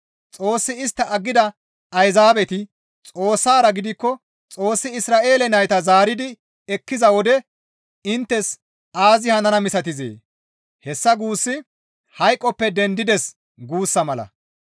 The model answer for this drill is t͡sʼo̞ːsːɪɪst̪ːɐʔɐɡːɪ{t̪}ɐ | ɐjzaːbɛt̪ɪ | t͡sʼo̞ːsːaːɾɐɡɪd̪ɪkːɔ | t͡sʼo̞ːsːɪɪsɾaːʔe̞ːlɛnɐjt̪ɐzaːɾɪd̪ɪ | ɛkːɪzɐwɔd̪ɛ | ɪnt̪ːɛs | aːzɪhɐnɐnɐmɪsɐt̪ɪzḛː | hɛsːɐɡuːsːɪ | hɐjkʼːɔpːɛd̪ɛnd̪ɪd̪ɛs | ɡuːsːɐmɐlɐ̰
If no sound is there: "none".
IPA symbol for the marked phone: d̪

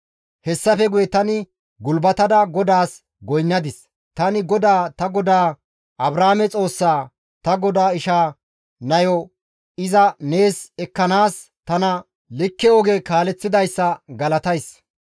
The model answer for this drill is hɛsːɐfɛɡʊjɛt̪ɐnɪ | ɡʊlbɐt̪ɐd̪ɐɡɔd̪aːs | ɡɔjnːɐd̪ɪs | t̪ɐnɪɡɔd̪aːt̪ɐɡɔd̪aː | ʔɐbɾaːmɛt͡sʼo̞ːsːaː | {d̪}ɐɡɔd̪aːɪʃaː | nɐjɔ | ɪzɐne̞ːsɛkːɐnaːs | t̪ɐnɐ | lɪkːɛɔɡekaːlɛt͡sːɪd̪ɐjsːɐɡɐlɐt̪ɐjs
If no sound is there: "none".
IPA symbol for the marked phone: t̪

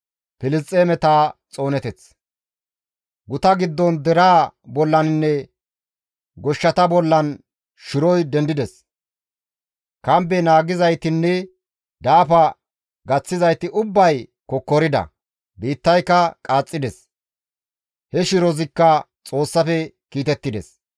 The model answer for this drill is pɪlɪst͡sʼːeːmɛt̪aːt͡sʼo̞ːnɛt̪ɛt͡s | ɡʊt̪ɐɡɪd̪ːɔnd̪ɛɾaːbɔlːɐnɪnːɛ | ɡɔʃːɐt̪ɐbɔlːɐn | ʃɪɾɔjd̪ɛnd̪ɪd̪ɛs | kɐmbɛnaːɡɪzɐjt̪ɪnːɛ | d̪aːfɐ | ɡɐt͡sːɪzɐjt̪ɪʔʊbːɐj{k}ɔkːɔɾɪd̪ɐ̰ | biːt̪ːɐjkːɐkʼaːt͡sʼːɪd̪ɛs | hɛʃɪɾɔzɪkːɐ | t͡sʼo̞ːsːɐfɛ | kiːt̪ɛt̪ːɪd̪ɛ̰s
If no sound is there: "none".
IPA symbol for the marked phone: k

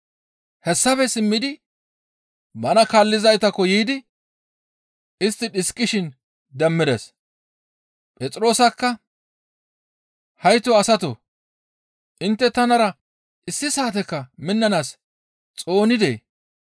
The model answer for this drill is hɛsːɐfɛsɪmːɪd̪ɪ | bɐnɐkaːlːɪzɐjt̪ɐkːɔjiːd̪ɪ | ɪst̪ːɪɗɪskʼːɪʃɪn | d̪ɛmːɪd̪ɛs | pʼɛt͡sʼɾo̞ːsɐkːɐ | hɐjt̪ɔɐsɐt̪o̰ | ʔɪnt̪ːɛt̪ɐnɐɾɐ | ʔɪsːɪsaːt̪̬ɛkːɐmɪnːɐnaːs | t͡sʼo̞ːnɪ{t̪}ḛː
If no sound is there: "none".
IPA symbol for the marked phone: d̪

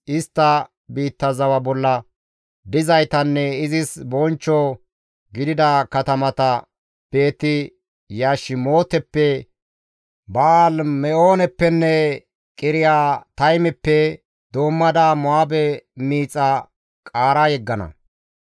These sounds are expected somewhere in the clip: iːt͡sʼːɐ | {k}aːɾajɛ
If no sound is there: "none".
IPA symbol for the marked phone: kʼ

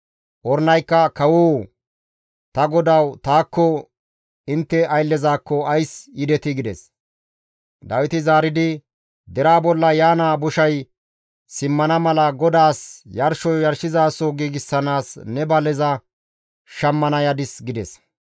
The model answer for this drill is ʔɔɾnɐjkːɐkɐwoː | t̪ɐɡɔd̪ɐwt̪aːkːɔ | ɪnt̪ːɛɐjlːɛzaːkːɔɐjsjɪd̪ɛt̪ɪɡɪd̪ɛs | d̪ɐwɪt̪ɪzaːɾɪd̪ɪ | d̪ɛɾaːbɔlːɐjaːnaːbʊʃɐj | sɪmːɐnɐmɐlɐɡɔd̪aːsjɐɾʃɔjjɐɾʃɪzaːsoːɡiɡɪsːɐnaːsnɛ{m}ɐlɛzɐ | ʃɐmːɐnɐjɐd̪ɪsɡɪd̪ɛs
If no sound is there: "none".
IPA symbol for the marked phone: b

